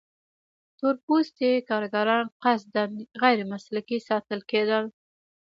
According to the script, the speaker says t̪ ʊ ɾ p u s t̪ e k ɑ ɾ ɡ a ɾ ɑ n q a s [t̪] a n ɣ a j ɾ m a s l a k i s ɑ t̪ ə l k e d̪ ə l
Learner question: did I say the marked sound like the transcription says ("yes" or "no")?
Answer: no